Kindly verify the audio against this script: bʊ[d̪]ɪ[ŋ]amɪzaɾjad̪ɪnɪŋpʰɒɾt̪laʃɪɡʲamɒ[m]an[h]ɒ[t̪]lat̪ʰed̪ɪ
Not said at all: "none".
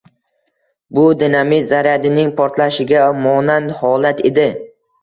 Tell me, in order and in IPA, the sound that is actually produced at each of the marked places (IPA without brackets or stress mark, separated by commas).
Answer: d̪, n, n, h, none